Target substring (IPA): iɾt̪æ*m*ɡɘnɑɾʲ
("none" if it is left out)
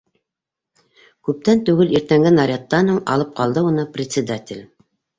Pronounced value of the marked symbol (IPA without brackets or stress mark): ŋ